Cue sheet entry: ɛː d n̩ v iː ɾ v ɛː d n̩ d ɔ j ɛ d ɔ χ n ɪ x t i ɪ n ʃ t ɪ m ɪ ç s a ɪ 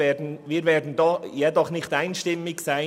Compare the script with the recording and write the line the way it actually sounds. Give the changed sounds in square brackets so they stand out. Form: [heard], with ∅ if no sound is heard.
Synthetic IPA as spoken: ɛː d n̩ v iː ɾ v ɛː d n̩ d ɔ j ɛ d ɔ χ n ɪ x t [a] ɪ n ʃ t ɪ m ɪ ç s a ɪ